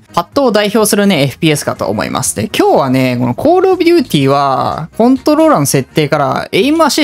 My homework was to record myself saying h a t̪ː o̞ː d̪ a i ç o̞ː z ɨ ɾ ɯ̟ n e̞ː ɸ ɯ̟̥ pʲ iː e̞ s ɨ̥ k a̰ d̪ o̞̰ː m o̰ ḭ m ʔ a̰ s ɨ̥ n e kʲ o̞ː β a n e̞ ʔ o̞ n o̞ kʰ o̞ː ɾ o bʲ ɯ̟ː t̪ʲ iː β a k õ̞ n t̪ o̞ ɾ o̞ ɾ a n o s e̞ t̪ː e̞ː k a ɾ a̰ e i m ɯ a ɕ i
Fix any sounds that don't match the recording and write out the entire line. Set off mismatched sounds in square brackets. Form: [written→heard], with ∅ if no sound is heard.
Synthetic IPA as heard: h a t̪ː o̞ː d̪ a i ç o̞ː [z→s] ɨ ɾ ɯ̟ n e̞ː ɸ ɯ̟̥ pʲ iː e̞ s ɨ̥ k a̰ [d̪→t̪] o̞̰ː m o̰ ḭ m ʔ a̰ s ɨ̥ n e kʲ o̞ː β a n e̞ [ʔ→k] o̞ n o̞ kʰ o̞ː ɾ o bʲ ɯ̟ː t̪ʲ iː β a k õ̞ n t̪ o̞ ɾ o̞ ɾ a n o s e̞ t̪ː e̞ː k a ɾ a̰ e i m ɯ a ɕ i